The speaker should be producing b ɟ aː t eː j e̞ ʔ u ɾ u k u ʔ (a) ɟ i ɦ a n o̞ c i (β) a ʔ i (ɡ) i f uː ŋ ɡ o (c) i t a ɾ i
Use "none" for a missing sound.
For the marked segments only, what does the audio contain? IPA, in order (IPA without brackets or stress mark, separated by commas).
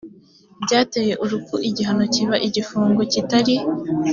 i, β, ɟ, c